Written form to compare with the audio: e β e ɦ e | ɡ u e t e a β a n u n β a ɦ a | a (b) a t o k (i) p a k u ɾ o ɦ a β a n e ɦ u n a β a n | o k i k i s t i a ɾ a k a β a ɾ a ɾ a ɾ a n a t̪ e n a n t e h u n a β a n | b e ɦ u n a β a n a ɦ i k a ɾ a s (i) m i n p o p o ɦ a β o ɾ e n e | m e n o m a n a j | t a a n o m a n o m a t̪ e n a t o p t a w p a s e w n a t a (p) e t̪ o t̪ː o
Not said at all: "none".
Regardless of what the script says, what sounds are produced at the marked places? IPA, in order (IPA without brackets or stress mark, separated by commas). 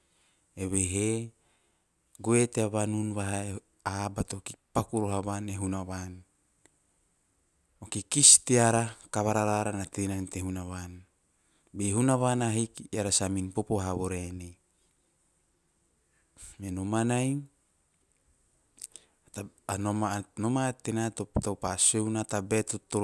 b, i, a, b